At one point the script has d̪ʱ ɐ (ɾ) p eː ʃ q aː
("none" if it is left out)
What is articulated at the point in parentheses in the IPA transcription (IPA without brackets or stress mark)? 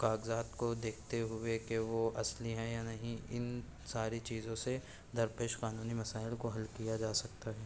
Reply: ɾ